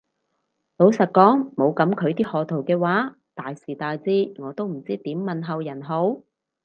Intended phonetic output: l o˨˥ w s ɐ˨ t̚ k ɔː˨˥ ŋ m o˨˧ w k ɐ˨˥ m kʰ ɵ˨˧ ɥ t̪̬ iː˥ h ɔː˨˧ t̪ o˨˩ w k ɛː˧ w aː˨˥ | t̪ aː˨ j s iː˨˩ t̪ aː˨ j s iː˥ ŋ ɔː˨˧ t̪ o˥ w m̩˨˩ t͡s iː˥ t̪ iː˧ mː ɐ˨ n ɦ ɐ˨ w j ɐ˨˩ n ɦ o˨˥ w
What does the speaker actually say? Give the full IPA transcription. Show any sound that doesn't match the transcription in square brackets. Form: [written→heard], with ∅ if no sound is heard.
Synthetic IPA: l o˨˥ w s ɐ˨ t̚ k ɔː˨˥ ŋ m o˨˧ w k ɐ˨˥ m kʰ ɵ˨˧ ɥ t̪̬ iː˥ h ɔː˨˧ [t̪→t̪ʰ] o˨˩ w k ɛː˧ w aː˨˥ | t̪ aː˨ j s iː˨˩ t̪ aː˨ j [s→t͡s] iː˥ ŋ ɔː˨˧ t̪ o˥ w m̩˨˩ t͡s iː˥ t̪ [iː˧→iː˨˥] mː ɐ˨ n ɦ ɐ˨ w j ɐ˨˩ n ɦ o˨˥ w